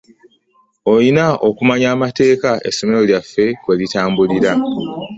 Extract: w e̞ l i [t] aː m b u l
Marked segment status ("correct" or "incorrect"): correct